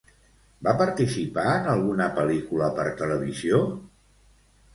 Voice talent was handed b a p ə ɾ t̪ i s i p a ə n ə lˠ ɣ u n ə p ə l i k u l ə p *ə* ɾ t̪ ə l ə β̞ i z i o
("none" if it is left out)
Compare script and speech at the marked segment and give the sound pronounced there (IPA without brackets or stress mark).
ə